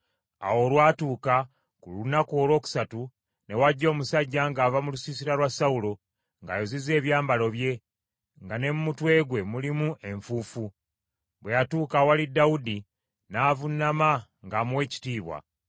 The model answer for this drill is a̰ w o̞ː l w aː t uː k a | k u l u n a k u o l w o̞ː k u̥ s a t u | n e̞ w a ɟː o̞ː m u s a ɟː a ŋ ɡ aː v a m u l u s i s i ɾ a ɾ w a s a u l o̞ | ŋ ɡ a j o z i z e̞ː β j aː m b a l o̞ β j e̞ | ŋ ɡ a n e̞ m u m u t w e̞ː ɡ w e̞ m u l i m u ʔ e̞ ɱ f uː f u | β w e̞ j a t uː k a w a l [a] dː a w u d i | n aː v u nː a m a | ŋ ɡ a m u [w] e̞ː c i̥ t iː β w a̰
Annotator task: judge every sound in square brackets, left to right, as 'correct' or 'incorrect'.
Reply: incorrect: i, correct

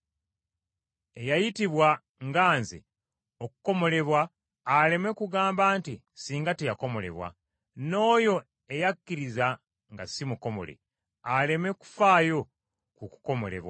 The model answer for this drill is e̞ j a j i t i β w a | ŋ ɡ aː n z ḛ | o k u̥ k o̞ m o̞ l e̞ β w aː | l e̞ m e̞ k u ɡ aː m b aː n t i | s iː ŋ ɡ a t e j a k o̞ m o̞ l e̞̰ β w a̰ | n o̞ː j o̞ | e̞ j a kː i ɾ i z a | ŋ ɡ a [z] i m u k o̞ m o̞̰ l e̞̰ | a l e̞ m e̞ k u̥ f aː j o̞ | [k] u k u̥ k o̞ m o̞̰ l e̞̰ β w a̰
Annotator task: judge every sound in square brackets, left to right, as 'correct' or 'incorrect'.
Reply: incorrect: s, correct

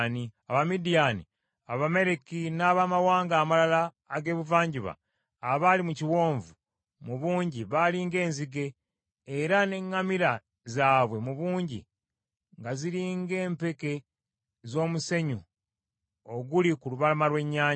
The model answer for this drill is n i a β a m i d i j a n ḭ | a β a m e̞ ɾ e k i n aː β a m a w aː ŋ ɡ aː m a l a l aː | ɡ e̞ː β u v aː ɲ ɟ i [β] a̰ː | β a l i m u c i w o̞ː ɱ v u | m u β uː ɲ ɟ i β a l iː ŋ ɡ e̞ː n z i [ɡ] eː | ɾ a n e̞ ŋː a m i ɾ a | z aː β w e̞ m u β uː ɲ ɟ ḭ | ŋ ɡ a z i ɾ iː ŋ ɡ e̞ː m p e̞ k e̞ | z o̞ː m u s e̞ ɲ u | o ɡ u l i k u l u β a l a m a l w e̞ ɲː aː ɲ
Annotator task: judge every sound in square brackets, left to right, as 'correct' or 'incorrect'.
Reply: correct, correct

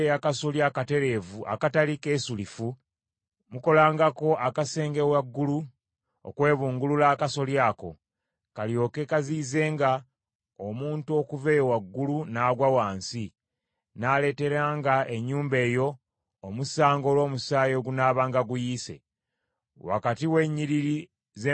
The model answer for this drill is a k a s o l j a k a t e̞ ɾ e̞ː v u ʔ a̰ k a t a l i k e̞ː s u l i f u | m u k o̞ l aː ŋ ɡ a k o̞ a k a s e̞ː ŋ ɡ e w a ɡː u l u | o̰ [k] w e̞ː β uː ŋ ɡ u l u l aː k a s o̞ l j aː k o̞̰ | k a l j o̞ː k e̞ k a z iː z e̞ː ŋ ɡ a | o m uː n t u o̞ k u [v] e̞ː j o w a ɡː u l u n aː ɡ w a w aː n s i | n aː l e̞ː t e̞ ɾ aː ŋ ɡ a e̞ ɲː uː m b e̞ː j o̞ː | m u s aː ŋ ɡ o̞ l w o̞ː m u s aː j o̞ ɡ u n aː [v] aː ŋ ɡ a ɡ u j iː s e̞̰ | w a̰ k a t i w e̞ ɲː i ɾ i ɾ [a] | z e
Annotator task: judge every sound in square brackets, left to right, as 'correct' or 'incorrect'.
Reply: correct, correct, incorrect: β, incorrect: i

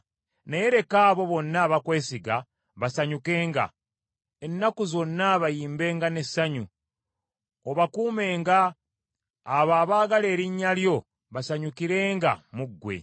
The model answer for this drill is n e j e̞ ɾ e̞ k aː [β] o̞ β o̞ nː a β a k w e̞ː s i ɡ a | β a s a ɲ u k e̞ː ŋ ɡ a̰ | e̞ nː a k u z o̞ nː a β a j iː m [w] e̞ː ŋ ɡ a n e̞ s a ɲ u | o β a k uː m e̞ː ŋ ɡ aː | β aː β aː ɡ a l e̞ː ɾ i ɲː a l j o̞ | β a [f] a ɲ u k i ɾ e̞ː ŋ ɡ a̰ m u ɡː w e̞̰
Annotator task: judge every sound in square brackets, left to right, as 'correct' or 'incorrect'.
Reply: correct, incorrect: b, incorrect: s

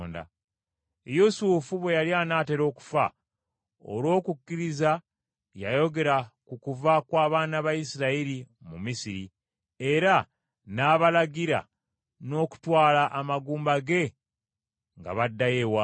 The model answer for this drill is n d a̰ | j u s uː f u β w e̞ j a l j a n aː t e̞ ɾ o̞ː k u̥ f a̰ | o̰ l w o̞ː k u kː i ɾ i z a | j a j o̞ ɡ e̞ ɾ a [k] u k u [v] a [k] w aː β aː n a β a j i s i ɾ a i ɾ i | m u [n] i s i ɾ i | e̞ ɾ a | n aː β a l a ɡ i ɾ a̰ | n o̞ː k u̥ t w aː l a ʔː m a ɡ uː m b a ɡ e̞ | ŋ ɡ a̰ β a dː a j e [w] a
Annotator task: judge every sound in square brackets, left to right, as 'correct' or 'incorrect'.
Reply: correct, correct, correct, incorrect: m, correct

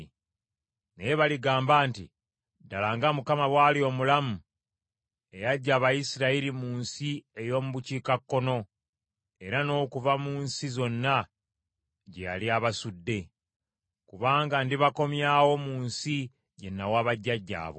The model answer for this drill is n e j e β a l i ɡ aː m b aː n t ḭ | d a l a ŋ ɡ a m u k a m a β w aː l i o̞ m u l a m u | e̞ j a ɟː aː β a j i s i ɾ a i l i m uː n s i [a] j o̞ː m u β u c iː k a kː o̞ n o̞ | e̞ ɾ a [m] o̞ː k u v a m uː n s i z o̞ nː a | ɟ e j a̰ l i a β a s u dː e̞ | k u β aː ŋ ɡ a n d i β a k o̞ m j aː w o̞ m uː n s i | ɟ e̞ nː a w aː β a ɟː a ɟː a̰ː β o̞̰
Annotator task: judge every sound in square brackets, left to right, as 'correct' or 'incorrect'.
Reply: incorrect: e, incorrect: n

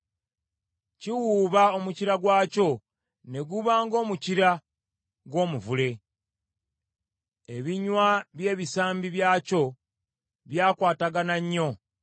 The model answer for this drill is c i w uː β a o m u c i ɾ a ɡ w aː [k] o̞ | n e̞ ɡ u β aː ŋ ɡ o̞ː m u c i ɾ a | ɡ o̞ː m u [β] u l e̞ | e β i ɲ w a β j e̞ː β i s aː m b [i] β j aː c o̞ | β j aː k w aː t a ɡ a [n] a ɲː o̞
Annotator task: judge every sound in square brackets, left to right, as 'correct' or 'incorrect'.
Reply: incorrect: c, incorrect: v, correct, correct

